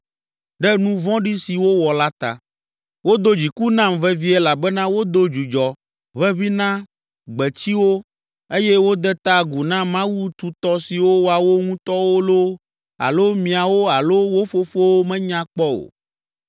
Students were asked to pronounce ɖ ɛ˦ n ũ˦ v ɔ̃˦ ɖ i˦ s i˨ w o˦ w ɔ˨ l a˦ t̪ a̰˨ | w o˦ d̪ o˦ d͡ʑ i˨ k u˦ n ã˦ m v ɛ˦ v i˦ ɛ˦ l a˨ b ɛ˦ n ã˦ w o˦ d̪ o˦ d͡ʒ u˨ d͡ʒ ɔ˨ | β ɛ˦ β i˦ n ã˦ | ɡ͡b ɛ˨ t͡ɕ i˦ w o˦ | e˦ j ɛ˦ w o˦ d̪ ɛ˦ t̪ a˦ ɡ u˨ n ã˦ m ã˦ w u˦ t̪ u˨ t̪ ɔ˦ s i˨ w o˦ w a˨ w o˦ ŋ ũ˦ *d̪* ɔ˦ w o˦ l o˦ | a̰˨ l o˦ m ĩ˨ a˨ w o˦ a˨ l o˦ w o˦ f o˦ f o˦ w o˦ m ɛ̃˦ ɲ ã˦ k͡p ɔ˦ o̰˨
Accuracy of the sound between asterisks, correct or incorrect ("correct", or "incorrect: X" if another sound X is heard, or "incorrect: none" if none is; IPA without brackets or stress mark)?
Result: incorrect: t̪